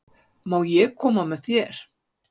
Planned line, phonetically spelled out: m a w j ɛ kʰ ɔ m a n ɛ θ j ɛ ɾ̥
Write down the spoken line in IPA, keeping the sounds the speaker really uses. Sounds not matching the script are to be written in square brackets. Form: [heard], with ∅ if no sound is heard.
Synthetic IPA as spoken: m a w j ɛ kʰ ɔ m a [m] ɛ θ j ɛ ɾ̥